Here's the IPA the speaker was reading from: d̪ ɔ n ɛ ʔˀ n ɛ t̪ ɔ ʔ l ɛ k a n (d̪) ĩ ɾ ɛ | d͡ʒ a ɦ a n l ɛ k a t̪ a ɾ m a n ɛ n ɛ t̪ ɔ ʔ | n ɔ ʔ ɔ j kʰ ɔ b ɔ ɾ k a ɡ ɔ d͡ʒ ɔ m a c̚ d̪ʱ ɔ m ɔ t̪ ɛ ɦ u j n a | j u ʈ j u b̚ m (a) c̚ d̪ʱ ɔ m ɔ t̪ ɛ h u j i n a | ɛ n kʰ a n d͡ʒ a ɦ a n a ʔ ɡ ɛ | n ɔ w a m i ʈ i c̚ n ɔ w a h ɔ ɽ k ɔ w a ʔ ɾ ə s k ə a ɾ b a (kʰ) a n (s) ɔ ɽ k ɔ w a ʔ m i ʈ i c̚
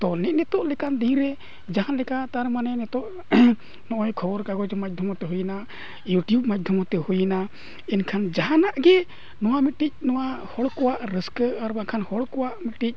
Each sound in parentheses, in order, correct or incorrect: correct, correct, correct, incorrect

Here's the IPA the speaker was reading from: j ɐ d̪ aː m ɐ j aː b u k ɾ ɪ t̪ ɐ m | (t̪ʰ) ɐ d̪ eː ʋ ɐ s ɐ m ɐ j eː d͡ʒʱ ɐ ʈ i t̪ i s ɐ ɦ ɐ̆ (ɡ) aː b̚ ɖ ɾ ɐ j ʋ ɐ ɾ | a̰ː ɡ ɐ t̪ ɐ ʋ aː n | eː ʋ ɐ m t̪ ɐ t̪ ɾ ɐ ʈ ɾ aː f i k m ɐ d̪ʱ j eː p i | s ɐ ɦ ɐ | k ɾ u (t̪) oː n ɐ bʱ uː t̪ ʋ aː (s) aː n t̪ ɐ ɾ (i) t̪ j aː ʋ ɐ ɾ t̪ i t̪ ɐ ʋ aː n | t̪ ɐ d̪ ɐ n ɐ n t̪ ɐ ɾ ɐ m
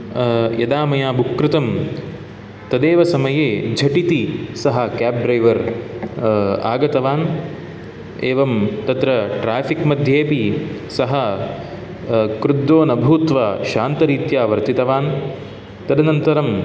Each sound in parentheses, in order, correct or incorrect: incorrect, incorrect, incorrect, incorrect, incorrect

